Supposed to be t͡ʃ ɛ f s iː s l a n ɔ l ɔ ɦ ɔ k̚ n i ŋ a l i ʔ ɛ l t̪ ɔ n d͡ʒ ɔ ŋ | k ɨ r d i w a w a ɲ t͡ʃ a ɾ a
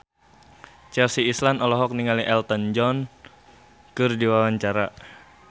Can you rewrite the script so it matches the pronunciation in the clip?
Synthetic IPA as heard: t͡ʃ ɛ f s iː s l a n ɔ l ɔ ɦ ɔ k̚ n i ŋ a l i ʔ ɛ l t̪ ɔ n d͡ʒ ɔ n | k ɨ r d i w a w a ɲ t͡ʃ a ɾ a